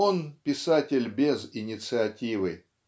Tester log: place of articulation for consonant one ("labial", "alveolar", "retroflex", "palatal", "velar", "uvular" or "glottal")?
alveolar